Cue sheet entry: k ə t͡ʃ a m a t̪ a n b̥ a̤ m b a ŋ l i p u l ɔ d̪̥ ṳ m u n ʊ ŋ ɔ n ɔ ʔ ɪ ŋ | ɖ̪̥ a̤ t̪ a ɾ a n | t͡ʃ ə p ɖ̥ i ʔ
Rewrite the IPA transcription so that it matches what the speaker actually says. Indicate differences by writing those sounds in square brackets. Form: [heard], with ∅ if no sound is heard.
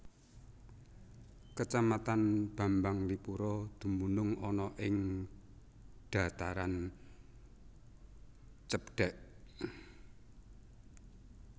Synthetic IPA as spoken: k ə t͡ʃ a m a t̪ a n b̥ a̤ m b a ŋ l i p u [ɾ] ɔ d̪̥ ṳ m u n ʊ ŋ ɔ n ɔ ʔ ɪ ŋ | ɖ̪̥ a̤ t̪ a ɾ a n | t͡ʃ ə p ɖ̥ [ɛ] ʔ